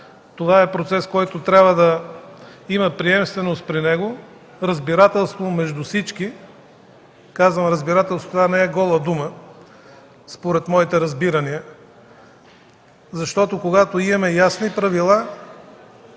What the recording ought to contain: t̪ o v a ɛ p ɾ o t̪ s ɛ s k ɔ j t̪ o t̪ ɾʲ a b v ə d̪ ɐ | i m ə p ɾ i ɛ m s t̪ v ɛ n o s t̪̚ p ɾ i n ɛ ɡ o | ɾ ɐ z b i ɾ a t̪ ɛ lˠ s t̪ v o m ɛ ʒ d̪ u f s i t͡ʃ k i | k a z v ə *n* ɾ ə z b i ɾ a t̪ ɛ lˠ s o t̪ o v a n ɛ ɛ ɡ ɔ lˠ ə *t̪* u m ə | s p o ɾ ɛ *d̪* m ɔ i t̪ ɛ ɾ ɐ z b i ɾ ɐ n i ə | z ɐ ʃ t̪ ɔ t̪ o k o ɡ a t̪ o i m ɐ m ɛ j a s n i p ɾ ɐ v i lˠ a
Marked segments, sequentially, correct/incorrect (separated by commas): incorrect, incorrect, incorrect